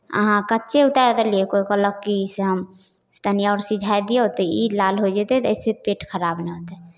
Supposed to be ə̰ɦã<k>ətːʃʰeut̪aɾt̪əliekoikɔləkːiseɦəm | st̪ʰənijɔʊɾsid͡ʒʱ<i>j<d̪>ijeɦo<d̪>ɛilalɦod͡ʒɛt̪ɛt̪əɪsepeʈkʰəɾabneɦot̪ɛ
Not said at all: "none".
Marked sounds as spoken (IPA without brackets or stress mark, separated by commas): k, a, d̪, t̪